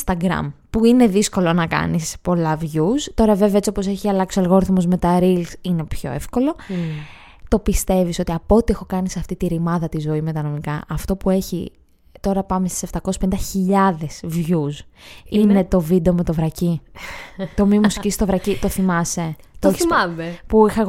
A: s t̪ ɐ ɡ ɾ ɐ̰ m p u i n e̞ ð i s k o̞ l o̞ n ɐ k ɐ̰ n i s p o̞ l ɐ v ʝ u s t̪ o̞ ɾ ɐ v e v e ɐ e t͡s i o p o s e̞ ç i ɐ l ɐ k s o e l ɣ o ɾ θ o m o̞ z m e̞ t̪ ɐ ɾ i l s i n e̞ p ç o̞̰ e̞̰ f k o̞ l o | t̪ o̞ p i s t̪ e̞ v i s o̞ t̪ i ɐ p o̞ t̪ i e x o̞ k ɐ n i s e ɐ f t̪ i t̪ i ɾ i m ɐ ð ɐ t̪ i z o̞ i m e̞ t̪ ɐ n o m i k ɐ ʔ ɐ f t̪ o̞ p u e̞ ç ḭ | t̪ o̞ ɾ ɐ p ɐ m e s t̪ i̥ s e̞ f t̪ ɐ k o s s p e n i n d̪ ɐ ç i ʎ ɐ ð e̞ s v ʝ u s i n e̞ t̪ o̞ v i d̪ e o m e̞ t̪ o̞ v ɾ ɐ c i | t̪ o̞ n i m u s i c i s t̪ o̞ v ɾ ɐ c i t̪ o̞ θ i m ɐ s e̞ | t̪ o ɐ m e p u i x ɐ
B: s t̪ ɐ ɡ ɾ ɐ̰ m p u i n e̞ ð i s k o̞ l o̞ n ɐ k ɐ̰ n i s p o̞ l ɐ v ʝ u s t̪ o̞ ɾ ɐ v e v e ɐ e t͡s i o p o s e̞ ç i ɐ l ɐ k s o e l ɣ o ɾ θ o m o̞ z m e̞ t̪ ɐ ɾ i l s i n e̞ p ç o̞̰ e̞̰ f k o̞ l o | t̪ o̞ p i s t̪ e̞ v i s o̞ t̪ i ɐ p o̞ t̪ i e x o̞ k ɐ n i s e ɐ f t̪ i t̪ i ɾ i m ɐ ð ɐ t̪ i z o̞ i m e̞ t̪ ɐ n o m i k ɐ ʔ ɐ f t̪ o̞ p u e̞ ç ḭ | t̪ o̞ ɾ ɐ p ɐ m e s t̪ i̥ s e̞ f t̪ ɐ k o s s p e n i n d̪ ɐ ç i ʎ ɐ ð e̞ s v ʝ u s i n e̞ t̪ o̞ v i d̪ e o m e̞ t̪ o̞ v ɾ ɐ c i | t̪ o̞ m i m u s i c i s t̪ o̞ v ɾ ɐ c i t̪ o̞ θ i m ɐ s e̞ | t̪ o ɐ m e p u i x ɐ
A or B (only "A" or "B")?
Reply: B